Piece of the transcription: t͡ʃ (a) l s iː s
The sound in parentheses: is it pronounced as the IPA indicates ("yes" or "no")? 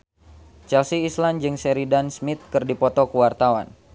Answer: no